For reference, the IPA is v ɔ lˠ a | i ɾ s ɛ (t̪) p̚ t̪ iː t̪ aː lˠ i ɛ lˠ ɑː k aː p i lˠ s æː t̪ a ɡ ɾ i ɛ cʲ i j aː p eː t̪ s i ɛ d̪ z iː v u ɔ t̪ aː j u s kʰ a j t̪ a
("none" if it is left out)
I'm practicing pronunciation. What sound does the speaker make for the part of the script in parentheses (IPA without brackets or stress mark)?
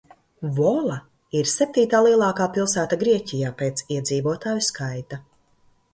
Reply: none